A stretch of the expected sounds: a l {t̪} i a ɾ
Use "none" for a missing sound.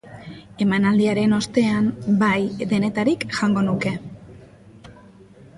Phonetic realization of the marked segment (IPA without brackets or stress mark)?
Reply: d̪